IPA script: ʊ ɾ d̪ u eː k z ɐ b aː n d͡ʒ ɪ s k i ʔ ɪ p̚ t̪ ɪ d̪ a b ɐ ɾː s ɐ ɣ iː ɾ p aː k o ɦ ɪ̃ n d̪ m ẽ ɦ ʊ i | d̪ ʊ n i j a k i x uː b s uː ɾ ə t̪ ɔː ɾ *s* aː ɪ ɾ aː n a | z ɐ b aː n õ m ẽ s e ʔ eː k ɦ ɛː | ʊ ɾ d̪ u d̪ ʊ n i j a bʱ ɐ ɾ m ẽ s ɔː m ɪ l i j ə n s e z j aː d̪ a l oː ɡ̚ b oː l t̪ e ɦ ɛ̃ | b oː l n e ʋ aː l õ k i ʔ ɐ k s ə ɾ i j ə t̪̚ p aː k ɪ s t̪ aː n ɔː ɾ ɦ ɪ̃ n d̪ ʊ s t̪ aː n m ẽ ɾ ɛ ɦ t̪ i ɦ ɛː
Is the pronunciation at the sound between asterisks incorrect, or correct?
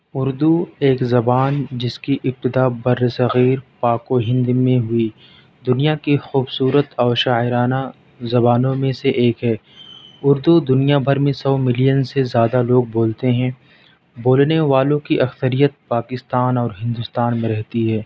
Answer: incorrect